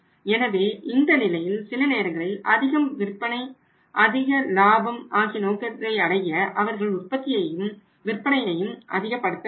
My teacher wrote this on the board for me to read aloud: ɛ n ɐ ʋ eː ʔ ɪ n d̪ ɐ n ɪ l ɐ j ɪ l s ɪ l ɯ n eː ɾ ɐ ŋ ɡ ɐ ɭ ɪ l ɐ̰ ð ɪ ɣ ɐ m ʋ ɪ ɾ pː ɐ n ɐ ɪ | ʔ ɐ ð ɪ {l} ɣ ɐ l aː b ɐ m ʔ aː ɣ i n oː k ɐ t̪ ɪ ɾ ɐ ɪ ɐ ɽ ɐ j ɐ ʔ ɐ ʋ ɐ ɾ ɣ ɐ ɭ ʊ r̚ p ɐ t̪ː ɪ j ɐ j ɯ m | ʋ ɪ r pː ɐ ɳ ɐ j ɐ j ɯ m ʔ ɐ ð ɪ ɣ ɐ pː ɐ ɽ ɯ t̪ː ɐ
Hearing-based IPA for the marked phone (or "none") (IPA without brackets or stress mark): none